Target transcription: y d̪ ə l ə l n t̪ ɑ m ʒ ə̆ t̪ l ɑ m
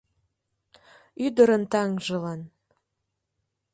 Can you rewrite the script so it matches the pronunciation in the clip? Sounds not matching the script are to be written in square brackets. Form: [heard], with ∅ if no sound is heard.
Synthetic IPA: y d̪ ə [ɾ] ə [∅] n t̪ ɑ [ŋ] ʒ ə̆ [∅] l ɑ [n]